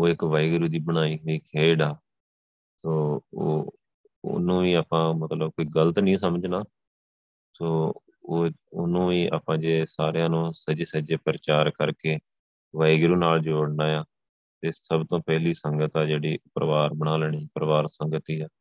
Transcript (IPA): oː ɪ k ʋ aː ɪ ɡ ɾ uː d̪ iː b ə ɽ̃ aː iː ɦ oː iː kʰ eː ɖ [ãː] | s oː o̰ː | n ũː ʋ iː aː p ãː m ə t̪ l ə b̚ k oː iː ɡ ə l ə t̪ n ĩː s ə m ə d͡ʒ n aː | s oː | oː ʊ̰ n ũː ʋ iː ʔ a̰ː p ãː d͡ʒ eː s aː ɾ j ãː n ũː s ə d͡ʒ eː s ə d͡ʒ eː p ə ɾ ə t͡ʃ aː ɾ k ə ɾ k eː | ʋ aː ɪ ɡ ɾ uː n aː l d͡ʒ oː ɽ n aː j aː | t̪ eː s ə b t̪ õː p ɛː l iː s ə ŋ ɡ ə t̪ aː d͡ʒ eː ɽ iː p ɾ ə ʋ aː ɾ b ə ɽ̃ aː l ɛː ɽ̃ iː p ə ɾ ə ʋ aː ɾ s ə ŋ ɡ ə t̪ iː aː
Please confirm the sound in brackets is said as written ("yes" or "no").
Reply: no